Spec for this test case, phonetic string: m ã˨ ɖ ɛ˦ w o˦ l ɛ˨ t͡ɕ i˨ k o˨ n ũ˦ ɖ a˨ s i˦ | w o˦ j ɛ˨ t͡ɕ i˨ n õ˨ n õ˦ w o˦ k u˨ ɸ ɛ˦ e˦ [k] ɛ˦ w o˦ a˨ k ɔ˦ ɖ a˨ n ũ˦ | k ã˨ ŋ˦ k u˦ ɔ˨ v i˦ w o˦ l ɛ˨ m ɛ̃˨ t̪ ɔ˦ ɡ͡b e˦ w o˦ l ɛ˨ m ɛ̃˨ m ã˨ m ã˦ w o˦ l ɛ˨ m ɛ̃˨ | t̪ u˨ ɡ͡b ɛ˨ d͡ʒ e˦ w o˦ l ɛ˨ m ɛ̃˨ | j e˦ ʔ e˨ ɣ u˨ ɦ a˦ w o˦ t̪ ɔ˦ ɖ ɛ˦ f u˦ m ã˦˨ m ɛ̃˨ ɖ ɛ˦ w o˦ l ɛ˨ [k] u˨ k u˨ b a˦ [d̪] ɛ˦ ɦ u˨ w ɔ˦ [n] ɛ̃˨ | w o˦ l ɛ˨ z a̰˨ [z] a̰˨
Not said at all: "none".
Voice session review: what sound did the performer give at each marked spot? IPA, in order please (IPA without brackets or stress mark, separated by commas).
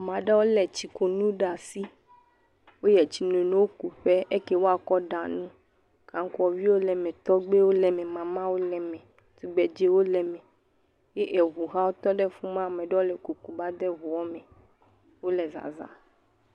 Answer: k, k, d̪, m, z